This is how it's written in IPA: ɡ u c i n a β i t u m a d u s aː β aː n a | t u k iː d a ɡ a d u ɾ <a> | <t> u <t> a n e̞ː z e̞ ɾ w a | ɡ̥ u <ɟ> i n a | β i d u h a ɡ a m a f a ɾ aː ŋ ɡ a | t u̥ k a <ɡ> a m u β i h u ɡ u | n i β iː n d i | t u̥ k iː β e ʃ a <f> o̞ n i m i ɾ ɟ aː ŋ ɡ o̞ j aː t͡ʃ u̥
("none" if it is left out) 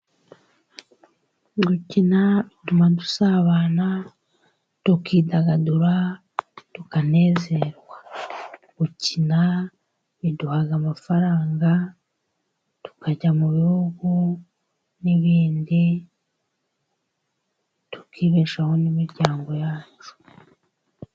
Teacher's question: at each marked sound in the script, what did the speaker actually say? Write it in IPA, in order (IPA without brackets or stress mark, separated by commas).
a, t, k, c, ɟ, h